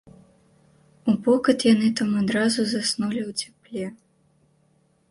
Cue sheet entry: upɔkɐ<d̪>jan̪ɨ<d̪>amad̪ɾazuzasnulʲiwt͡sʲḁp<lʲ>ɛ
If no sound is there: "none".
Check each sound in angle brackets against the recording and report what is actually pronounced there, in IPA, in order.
t̪, t̪, lʲ

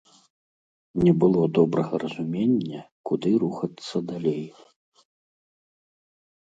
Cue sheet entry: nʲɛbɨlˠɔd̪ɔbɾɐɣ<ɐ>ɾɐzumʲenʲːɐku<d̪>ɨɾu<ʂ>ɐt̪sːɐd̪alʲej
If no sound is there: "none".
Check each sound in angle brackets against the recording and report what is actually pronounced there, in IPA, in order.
ɐ, d̪, x

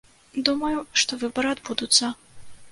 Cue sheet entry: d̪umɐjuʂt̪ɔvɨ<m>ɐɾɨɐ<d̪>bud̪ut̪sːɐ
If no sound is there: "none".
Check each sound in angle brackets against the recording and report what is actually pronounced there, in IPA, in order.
b, d̪

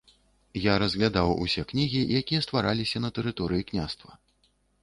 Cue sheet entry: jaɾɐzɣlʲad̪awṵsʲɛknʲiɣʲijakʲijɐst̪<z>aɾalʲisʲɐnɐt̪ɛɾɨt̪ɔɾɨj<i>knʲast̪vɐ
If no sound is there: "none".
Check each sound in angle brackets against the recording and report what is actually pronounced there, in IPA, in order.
v, i

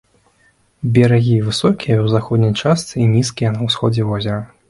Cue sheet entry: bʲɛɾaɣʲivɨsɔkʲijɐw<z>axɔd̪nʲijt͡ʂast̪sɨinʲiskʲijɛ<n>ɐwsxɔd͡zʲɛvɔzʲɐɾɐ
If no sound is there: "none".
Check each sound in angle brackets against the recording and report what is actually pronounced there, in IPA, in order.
z, n

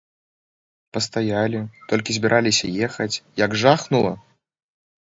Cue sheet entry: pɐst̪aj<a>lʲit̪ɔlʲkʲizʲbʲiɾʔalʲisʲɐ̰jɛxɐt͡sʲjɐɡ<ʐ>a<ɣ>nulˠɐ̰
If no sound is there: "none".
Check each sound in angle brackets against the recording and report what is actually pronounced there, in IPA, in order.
a, ʐ, x

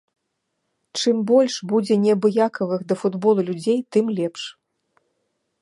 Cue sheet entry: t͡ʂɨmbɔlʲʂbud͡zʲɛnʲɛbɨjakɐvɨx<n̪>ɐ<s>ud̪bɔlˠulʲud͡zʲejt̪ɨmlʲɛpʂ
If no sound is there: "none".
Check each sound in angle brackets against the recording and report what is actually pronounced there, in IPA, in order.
d̪, f

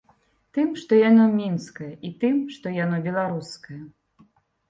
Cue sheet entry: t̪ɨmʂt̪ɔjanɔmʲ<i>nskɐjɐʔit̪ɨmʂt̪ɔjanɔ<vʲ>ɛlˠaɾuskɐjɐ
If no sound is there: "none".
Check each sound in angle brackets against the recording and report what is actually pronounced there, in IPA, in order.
i, bʲ

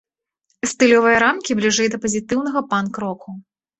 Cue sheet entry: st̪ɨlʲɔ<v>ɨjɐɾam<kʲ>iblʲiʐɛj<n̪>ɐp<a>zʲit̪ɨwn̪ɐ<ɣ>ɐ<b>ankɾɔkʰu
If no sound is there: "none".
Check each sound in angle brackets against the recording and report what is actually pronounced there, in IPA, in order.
v, kʲ, d̪, ɐ, ɣ, p

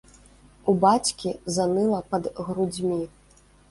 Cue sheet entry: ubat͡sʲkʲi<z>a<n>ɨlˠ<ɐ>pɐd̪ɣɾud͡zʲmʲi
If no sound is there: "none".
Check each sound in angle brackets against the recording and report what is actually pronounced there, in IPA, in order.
z, n, ɐ

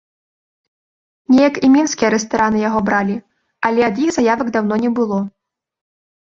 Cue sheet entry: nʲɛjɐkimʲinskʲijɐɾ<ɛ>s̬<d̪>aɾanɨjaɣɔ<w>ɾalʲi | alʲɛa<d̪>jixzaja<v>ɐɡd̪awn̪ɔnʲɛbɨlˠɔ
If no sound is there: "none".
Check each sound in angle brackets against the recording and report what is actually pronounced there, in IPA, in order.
ɛ, t̪, b, d̪, v

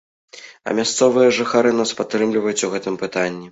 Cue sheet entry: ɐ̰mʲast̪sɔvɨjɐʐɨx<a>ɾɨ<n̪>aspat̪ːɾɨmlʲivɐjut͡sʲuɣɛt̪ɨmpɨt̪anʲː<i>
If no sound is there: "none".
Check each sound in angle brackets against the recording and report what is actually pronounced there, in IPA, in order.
a, n̪, i

